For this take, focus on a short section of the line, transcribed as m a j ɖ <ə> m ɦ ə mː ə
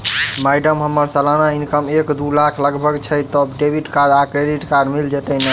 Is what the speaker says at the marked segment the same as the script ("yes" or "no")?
yes